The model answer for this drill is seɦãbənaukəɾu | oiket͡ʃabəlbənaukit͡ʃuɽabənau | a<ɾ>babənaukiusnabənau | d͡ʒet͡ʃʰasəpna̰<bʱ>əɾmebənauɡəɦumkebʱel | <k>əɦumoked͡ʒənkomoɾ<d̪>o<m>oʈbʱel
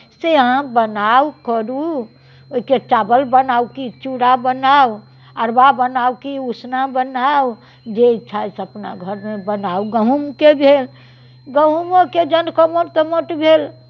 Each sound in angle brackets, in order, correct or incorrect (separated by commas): correct, incorrect, incorrect, incorrect, correct